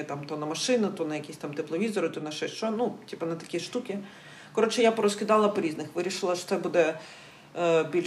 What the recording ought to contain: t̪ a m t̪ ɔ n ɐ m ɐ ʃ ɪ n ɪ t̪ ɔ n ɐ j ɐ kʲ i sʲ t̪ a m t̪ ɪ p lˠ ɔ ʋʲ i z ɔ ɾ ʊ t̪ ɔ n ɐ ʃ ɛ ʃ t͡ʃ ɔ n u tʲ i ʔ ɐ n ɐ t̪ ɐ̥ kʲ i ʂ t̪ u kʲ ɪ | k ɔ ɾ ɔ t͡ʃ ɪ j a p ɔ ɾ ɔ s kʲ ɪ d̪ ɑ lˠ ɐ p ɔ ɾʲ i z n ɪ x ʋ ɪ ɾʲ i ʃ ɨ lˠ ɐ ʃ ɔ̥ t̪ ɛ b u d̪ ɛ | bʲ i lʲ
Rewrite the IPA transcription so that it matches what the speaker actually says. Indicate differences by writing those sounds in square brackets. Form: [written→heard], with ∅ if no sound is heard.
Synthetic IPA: t̪ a m t̪ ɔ n ɐ m ɐ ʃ ɪ n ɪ t̪ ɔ n ɐ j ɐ kʲ i sʲ t̪ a m t̪ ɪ p lˠ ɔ ʋʲ i z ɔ ɾ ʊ t̪ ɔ n ɐ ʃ ɛ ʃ t͡ʃ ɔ n u tʲ i [ʔ→p] ɐ n ɐ t̪ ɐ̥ kʲ i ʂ t̪ u kʲ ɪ | k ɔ ɾ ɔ t͡ʃ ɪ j a p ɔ ɾ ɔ s kʲ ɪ d̪ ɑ lˠ ɐ p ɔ ɾʲ i z n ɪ x ʋ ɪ ɾʲ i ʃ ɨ lˠ ɐ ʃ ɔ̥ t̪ ɛ b u d̪ ɛ | bʲ i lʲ